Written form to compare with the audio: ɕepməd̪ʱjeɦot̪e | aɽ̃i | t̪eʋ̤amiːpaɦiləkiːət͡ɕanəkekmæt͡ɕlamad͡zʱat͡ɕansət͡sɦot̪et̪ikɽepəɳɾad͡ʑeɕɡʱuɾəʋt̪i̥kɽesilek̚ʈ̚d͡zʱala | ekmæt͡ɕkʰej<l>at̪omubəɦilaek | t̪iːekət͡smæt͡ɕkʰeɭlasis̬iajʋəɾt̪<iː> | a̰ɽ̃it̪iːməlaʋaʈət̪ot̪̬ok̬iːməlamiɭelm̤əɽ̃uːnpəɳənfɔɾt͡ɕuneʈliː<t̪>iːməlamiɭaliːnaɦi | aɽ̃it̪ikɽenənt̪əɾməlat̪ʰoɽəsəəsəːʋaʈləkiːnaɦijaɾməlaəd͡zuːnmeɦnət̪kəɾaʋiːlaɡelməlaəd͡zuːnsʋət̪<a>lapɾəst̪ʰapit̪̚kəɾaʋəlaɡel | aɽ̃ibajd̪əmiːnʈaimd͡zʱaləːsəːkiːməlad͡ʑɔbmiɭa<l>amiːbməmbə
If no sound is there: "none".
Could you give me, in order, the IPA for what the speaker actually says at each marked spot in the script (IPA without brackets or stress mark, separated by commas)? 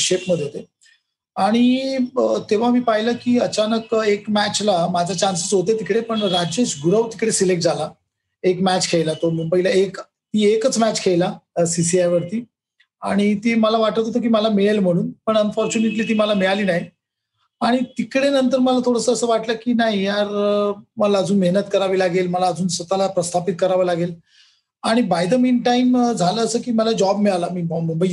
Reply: l, iː, t̪, a, l